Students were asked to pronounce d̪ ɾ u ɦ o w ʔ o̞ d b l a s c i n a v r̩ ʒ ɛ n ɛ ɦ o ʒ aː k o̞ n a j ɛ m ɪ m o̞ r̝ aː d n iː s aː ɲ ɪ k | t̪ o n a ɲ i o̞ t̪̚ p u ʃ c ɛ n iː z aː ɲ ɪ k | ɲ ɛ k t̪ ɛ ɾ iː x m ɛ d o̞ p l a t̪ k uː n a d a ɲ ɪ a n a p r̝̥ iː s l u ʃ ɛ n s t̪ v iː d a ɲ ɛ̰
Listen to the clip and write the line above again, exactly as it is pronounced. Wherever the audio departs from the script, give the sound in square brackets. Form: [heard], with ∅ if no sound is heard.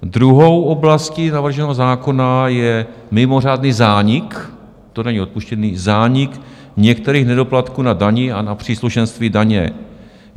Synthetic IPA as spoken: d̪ ɾ u ɦ o w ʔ o̞ [∅] b l a s c i n a v r̩ ʒ ɛ n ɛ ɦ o [z] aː k o̞ n a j ɛ m ɪ m o̞ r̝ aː d n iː [z] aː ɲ ɪ k | t̪ o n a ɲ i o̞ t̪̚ p u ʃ c ɛ n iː z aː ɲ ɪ k | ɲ ɛ k t̪ ɛ ɾ iː x [n] ɛ d o̞ p l a t̪ k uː n a d a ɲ ɪ a n a p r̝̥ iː s l u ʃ ɛ n s t̪ v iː d a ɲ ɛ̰

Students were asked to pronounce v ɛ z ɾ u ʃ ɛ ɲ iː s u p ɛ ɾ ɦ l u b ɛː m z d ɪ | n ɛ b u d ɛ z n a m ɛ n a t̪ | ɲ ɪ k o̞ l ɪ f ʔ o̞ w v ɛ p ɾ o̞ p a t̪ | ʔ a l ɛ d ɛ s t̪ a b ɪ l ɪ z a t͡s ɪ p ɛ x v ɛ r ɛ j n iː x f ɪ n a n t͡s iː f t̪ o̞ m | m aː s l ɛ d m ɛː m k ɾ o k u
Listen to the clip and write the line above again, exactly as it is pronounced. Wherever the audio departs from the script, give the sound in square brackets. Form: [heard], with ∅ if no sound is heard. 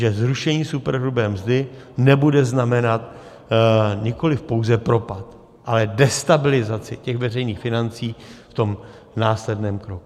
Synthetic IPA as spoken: [ʒ] ɛ z ɾ u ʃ ɛ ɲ iː s u p ɛ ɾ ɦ l u b ɛː m z d ɪ | n ɛ b u d ɛ z n a m ɛ n a t̪ | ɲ ɪ k o̞ l ɪ f [p] o̞ w [z] ɛ p ɾ o̞ p a t̪ | ʔ a l ɛ d ɛ s t̪ a b ɪ l ɪ z a t͡s ɪ [c] ɛ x v ɛ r ɛ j n iː x f ɪ n a n t͡s iː f t̪ o̞ m | [n] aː s l ɛ d [n] ɛː m k ɾ o k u

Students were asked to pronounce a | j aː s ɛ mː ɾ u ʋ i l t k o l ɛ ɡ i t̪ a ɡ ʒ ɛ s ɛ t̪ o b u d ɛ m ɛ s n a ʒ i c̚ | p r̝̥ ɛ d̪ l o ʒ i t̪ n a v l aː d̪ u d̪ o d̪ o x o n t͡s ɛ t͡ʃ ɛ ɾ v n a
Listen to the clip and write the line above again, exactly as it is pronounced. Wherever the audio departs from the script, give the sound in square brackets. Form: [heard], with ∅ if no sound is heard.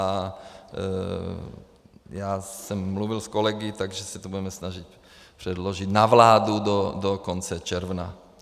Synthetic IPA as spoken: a | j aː s ɛ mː [l] u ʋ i l [s] k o l ɛ ɡ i t̪ a ɡ ʒ ɛ s ɛ t̪ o b u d ɛ m ɛ s n a ʒ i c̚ | p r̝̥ ɛ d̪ l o ʒ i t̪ n a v l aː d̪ u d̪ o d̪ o [k] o n t͡s ɛ t͡ʃ ɛ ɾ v n a

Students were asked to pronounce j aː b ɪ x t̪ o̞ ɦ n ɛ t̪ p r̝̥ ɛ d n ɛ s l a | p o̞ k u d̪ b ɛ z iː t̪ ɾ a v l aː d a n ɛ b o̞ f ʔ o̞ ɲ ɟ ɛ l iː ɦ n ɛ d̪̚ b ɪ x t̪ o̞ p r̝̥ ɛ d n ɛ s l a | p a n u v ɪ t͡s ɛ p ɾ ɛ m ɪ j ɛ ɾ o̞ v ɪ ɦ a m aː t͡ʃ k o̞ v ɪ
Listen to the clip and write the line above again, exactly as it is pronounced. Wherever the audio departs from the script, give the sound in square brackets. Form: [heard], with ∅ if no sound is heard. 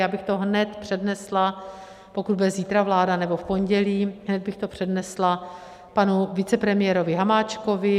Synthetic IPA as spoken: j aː b ɪ x t̪ o̞ ɦ n ɛ t̪ p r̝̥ ɛ d n ɛ s l a | p o̞ k u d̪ b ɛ z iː t̪ ɾ a v l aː d a n ɛ b o̞ f [p] o̞ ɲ ɟ ɛ l iː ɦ n ɛ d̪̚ b ɪ x t̪ o̞ p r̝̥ ɛ d n ɛ s l a | p a n u v ɪ t͡s ɛ p ɾ ɛ m ɪ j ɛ ɾ o̞ v ɪ ɦ a m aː t͡ʃ k o̞ v ɪ

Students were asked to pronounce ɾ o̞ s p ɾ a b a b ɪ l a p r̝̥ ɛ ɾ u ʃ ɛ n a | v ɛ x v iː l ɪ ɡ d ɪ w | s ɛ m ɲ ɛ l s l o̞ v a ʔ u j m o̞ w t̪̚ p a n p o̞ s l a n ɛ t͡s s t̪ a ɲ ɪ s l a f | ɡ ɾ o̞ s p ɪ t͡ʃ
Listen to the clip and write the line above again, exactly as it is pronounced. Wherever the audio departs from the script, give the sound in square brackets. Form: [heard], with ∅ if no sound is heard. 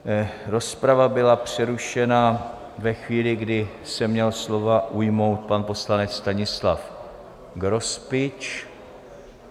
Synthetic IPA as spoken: ɾ o̞ s p ɾ a [v] a b ɪ l a p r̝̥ ɛ ɾ u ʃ ɛ n a | v ɛ x v iː l ɪ ɡ d ɪ [∅] | s ɛ m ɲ ɛ l s l o̞ v a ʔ u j m o̞ w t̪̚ p a n p o̞ s l a n ɛ t͡s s t̪ a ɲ ɪ s l a f | ɡ ɾ o̞ s p ɪ t͡ʃ

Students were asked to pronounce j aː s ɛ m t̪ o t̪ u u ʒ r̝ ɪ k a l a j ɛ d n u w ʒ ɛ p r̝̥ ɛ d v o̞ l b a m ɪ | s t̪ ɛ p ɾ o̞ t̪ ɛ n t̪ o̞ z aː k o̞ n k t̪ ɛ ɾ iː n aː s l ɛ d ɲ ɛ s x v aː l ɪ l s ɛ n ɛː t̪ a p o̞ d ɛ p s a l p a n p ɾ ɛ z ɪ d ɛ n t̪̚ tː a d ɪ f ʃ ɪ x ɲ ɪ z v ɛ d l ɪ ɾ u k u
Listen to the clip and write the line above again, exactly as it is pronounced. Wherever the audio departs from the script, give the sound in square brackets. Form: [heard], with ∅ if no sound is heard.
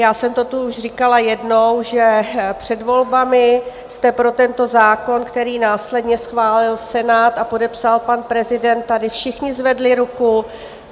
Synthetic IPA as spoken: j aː s ɛ m t̪ o t̪ u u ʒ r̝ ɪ k a l a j ɛ d n [o] w ʒ ɛ p r̝̥ ɛ d v o̞ l b a m ɪ | s t̪ ɛ p ɾ o̞ t̪ ɛ n t̪ o̞ z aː k o̞ n k t̪ ɛ ɾ iː n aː s l ɛ d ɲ ɛ s x v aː l ɪ l s ɛ n [aː] t̪ a p o̞ d ɛ p s a l p a n p ɾ ɛ z ɪ d ɛ n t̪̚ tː a d ɪ f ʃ ɪ x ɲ ɪ z v ɛ d l ɪ ɾ u k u

